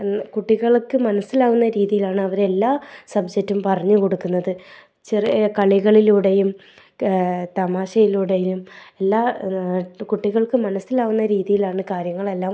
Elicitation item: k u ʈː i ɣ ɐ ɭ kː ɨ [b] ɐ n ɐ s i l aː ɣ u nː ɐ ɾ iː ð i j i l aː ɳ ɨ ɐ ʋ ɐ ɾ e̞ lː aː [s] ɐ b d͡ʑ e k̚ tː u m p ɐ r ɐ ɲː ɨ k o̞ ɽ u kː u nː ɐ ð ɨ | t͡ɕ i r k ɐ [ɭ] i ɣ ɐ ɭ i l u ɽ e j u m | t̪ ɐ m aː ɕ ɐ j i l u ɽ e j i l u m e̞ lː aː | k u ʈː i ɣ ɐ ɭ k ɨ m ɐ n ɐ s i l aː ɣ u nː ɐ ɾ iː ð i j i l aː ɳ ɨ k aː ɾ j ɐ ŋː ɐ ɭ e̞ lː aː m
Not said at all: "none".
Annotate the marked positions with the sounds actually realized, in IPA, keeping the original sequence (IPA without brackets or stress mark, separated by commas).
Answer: m, s, ɭ